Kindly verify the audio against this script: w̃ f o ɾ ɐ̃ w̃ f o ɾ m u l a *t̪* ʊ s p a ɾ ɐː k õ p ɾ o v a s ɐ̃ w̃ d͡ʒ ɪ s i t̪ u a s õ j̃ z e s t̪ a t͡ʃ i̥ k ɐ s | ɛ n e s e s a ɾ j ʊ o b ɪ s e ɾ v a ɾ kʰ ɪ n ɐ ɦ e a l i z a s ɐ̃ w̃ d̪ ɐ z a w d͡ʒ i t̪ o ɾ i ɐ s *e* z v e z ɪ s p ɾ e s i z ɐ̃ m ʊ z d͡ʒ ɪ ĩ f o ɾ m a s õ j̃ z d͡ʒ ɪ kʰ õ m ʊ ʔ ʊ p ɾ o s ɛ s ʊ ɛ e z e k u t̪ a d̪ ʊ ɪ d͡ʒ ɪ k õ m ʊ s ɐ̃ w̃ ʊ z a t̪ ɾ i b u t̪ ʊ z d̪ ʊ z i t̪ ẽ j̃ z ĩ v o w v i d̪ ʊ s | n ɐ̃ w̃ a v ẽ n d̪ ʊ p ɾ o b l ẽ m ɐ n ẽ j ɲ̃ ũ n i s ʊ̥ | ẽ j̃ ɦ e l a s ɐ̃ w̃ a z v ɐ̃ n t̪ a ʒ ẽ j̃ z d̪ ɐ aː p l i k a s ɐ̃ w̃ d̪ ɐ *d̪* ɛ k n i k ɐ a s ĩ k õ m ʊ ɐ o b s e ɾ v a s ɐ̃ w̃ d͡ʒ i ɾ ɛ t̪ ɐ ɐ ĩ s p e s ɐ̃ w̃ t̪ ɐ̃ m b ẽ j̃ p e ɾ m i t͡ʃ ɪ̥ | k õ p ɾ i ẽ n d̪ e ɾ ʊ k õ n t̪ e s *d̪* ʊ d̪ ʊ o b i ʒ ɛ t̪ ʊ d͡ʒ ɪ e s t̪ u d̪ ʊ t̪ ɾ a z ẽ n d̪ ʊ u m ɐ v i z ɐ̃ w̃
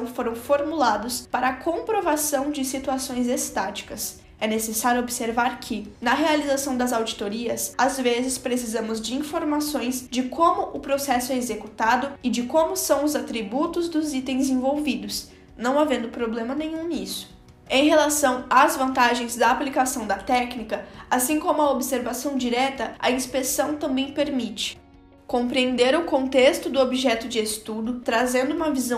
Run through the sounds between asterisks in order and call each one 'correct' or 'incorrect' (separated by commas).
incorrect, incorrect, incorrect, incorrect